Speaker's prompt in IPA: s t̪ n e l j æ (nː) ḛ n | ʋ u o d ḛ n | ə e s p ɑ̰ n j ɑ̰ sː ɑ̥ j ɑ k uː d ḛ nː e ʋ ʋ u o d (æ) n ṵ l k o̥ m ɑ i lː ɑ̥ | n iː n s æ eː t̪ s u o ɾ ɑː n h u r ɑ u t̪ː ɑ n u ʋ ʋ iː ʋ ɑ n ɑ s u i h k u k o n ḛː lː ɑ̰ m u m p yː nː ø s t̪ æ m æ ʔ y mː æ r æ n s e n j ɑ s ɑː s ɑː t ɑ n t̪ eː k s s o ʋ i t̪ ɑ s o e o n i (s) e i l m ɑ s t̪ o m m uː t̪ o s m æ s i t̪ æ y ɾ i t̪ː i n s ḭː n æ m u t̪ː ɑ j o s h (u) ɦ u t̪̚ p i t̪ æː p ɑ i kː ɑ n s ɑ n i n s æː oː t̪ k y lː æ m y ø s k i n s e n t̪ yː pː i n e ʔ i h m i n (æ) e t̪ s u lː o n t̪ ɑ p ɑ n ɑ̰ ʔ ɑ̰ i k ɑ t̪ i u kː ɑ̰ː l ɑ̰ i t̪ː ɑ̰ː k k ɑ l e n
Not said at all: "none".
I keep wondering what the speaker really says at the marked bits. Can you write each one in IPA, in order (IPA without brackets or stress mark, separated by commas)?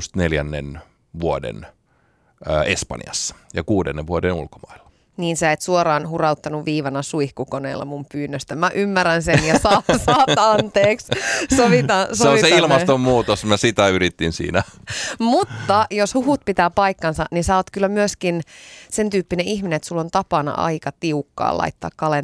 nː, e, s, u, e